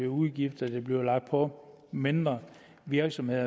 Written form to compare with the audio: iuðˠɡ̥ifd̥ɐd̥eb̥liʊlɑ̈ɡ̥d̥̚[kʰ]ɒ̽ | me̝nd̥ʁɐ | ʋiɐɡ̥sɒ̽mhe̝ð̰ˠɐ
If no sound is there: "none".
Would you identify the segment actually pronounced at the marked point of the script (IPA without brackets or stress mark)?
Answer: pʰ